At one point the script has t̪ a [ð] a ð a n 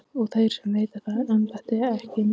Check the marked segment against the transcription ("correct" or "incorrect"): incorrect